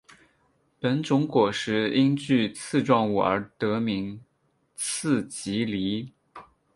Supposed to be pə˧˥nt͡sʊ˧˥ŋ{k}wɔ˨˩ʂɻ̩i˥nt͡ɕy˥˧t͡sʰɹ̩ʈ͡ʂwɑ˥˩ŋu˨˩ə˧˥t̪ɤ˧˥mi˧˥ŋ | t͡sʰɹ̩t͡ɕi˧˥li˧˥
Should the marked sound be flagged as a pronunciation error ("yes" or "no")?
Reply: no